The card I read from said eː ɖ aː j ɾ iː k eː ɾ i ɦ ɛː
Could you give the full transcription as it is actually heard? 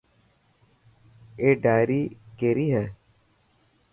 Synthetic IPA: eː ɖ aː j ɾ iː k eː ɾ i ɦ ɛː